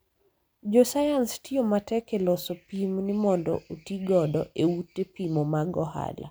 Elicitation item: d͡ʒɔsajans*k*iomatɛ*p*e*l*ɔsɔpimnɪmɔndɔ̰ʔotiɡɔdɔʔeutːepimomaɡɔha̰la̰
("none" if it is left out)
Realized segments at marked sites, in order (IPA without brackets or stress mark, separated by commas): t, k, l